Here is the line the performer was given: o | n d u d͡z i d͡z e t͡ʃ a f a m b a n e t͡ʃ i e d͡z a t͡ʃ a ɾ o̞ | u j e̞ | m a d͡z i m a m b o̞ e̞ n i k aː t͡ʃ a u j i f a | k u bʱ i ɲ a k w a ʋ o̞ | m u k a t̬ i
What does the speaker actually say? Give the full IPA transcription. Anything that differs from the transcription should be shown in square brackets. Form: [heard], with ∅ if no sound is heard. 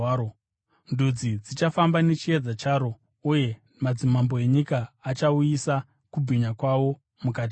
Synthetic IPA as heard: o | n d u d͡z i d͡z [i] t͡ʃ a f a m b a n e t͡ʃ i e d͡z a t͡ʃ a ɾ o̞ | u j e̞ | m a d͡z i m a m b o̞ e̞ [ɲ] i k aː t͡ʃ a u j i [s] a | k u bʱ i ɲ a k w a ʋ o̞ | m u k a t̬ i